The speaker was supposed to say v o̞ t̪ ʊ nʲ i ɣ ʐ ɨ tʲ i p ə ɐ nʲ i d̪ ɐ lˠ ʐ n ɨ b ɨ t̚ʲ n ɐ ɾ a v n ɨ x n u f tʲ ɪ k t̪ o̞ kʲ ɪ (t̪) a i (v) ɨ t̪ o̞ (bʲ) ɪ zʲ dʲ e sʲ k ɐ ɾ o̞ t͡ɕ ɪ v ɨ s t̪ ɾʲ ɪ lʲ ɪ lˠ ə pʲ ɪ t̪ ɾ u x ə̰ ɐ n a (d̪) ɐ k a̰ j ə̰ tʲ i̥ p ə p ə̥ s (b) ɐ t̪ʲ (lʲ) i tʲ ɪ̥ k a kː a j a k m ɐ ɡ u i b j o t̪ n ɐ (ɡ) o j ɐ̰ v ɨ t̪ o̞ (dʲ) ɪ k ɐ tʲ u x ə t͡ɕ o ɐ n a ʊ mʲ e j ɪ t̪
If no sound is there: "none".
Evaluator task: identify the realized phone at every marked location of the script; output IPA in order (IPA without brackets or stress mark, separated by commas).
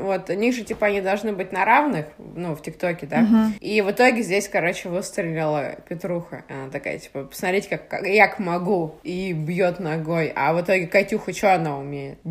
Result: d̪, v, ɡʲ, t̪, m, ɾʲ, ɡ, ɡʲ